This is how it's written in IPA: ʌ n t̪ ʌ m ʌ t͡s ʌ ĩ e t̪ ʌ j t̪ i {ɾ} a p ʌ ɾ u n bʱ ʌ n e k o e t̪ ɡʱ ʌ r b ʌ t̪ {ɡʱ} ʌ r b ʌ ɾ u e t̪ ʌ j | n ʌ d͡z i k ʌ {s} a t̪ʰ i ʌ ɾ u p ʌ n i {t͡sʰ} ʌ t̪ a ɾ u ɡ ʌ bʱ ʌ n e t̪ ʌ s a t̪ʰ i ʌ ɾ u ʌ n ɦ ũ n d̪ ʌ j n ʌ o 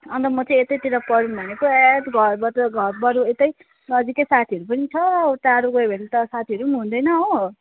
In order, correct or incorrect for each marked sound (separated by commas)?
correct, correct, correct, correct